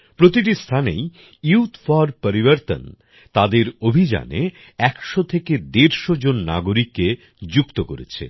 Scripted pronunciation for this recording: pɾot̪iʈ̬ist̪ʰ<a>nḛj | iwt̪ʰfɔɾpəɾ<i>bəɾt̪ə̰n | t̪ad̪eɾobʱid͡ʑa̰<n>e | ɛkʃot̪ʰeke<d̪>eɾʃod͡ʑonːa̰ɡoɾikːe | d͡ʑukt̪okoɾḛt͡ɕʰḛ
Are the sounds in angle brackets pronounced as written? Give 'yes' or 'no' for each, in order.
yes, yes, yes, yes

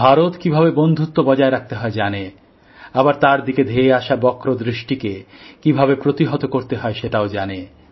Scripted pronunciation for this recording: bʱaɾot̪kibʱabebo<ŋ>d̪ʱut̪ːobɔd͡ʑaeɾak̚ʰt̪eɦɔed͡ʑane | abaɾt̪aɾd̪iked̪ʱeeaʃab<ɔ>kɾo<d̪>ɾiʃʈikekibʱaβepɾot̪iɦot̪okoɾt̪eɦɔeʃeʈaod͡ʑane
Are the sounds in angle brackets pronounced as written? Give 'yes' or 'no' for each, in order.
no, yes, yes

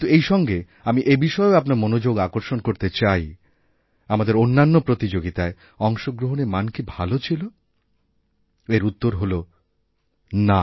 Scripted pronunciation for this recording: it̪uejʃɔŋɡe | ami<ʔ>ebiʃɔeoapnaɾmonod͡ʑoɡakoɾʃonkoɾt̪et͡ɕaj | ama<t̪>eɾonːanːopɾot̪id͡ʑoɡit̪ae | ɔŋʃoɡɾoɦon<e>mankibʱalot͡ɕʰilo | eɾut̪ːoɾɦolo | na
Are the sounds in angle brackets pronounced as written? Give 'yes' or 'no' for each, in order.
yes, no, yes

